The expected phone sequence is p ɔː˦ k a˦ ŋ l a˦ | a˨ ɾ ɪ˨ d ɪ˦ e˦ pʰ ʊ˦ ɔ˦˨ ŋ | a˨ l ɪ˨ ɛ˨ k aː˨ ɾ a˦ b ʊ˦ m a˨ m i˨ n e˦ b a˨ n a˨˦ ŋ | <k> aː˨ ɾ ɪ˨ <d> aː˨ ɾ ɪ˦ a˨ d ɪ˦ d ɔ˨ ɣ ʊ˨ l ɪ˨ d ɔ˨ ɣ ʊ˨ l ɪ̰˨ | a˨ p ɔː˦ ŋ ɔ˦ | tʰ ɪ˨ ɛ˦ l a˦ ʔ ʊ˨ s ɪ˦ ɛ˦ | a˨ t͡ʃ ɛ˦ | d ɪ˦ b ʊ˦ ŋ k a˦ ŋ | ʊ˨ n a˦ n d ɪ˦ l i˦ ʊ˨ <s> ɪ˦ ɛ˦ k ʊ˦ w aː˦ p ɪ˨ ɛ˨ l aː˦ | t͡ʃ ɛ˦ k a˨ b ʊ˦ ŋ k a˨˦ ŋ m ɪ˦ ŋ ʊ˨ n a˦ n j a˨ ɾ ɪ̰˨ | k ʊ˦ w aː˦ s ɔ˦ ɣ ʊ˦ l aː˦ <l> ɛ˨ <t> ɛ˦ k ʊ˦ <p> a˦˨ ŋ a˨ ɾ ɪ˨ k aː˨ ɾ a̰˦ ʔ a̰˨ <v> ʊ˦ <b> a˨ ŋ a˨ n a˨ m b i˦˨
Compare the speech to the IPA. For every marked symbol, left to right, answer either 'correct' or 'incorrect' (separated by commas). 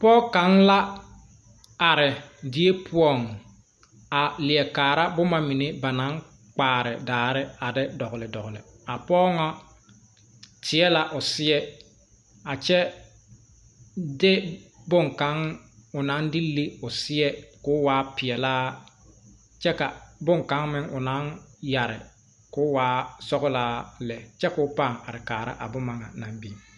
incorrect, correct, correct, correct, incorrect, correct, incorrect, incorrect